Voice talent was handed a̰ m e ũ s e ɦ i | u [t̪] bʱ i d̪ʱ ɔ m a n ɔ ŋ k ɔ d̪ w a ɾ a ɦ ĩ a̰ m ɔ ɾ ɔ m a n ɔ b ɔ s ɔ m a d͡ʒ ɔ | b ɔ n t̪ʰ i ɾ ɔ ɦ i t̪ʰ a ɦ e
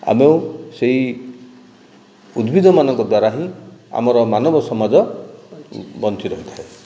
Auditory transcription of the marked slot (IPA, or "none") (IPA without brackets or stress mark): d̪